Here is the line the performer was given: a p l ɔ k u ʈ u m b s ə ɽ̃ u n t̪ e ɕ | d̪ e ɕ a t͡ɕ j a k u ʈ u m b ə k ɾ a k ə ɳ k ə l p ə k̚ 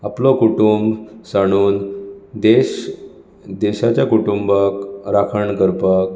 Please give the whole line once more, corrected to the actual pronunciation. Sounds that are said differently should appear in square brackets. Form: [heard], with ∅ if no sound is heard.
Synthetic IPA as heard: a p l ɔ k u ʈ u m b s [a] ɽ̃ [uː] n [d̪] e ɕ | d̪ e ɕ a t͡ɕ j a k u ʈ u m b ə k ɾ a [kʰ] ə ɳ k ə [ɾ] p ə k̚